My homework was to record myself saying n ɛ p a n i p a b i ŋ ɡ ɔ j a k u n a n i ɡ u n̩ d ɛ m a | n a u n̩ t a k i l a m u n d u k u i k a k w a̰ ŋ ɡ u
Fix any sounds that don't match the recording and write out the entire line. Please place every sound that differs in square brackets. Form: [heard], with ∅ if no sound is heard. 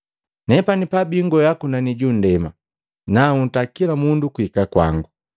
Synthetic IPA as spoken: n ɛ p a n i p a b i ŋ ɡ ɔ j a k u n a n i [ɟ] u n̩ d ɛ m a | n a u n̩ t a k i l a m u n d u k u i k a k w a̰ ŋ ɡ u